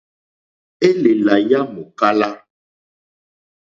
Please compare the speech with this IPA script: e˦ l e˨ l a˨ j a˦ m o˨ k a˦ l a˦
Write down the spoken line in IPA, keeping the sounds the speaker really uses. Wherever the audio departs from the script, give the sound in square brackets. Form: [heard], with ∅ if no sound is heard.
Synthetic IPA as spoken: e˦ l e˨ l a˨ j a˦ m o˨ k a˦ l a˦

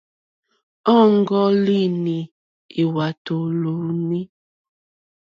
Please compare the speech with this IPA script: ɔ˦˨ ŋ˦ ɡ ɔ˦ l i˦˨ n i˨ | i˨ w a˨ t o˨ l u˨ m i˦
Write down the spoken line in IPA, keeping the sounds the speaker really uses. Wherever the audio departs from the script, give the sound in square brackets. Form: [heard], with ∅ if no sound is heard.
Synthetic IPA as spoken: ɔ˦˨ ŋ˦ ɡ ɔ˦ l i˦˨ n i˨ | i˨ w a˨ t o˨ l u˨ [n] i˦

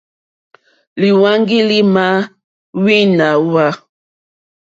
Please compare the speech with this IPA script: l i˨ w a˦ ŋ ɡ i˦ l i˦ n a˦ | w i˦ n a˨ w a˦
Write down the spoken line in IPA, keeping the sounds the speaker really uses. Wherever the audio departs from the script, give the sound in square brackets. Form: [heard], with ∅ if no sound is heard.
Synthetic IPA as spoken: l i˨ w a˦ ŋ ɡ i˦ l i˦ [m] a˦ | w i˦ n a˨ w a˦

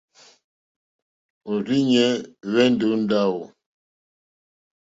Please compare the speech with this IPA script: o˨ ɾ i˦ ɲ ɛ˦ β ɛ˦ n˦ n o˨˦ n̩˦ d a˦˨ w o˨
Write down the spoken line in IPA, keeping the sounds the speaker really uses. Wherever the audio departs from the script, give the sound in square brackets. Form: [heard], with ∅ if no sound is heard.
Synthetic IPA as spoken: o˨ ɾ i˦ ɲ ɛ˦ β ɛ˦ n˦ [d] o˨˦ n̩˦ d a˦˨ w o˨

